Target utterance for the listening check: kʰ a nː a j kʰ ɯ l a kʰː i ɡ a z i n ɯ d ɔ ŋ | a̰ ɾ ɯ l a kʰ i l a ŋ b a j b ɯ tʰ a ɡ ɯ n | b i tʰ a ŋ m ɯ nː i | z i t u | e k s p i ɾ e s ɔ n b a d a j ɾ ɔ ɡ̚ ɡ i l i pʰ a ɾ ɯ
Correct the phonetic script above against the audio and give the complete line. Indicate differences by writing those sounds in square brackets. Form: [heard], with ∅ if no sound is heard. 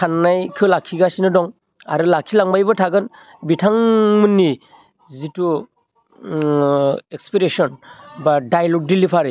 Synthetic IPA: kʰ a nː a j kʰ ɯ l a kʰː i ɡ a [s] i n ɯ d ɔ ŋ | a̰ ɾ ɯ l a kʰ i l a ŋ b a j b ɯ tʰ a ɡ ɯ n | b i tʰ a ŋ m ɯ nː i | z i t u | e k s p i ɾ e s ɔ n b a d a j [l] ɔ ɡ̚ [d] i l i pʰ a ɾ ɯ